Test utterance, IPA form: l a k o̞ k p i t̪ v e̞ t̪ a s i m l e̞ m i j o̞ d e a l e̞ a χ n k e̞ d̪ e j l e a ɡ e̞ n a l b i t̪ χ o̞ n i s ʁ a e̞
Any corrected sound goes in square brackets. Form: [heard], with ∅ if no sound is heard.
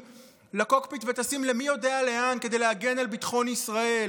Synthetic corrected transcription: l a k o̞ k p i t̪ v e̞ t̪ a s i m l e̞ m i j o̞ d e a l e̞ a [∅] n k e̞ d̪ e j l e a ɡ e̞ n a l b i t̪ χ o̞ n i s ʁ a e̞